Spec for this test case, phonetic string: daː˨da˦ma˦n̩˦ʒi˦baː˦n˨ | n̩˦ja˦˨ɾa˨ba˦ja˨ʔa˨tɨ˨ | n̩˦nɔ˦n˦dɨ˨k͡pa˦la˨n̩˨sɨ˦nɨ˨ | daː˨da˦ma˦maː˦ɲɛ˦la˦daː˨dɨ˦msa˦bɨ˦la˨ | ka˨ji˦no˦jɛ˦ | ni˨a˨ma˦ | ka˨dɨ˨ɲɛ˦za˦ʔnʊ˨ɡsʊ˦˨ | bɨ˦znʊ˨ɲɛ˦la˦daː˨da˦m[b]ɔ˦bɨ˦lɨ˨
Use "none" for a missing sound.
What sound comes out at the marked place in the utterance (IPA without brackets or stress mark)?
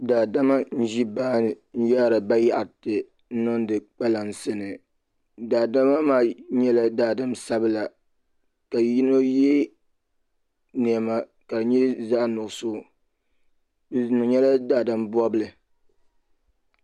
b